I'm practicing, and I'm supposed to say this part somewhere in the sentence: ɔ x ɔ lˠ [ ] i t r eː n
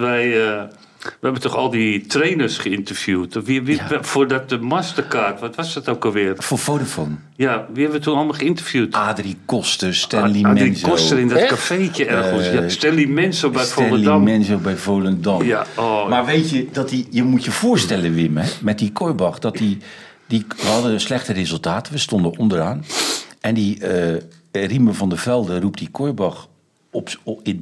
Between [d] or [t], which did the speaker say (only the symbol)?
d